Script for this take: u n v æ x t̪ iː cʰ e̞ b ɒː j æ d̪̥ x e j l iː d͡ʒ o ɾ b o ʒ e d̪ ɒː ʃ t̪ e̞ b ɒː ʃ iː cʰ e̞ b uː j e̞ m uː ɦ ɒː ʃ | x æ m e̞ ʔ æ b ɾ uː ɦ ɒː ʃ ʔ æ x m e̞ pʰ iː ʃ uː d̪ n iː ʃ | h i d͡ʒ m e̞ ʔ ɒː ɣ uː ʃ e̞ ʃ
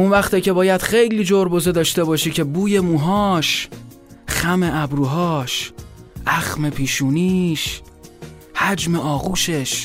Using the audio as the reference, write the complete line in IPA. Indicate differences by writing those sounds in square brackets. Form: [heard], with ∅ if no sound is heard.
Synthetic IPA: u n v æ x t̪ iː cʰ e̞ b ɒː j æ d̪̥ x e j l iː d͡ʒ o ɾ b o [z] e d̪ ɒː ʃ t̪ e̞ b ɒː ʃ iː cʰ e̞ b uː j e̞ m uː ɦ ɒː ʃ | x æ m e̞ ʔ æ b ɾ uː ɦ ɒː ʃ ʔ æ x m e̞ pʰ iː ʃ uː [∅] n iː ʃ | h [æ] d͡ʒ m e̞ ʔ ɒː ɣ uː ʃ e̞ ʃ